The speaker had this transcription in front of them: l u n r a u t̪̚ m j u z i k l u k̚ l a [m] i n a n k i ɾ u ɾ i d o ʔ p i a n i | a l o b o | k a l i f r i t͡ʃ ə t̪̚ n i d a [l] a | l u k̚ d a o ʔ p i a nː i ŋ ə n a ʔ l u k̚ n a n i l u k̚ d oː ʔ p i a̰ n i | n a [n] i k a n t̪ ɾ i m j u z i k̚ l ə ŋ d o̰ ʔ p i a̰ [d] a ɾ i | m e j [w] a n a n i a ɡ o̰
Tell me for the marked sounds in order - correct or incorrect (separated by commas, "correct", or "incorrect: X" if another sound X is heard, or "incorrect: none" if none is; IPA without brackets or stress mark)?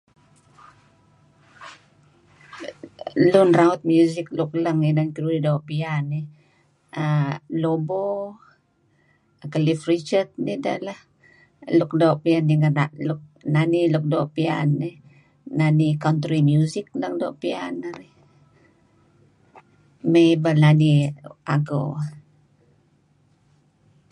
incorrect: ŋ, correct, correct, incorrect: n, incorrect: b